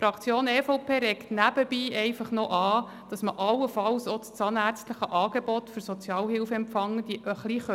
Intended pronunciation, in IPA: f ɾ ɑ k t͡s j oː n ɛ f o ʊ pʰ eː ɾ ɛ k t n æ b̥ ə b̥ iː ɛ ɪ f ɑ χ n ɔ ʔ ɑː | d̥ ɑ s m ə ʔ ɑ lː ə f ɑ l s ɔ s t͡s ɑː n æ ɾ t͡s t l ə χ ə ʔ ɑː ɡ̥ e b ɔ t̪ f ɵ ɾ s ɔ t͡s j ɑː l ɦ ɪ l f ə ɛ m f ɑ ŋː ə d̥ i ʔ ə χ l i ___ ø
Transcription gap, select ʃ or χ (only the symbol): χ